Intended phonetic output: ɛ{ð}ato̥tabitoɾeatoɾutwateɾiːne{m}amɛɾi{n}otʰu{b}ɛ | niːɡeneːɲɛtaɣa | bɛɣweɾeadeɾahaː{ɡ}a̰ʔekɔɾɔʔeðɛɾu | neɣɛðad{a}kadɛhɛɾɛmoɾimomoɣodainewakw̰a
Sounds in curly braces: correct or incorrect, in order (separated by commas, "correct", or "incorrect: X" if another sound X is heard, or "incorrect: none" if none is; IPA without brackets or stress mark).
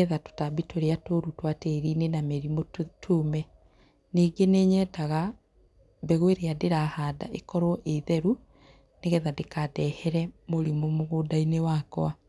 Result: correct, incorrect: n, incorrect: m, incorrect: m, incorrect: d, incorrect: e